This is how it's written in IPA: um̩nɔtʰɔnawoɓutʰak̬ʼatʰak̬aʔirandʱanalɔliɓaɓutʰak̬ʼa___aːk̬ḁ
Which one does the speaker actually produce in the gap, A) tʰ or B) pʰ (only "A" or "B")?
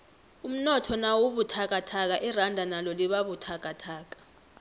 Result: A